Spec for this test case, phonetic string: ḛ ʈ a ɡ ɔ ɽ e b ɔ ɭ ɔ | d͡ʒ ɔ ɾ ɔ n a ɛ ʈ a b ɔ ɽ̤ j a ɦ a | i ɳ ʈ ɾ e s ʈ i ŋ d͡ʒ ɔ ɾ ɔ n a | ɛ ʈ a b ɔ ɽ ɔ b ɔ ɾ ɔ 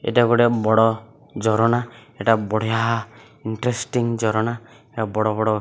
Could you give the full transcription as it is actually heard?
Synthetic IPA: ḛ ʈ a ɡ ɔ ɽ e b ɔ ɽ ɔ | d͡ʒ ɔ ɾ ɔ n a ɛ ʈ a b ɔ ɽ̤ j a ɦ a | i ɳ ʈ ɾ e s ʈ i ŋ d͡ʒ ɔ ɾ ɔ n a | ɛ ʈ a b ɔ ɽ ɔ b ɔ ɽ ɔ